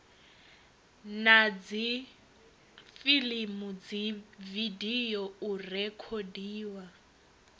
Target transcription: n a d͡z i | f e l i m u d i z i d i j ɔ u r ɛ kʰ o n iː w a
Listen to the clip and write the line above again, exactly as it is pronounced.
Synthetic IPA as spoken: n a d͡z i | f i l i m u d͡z i v i d i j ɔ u r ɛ kʰ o d iː w a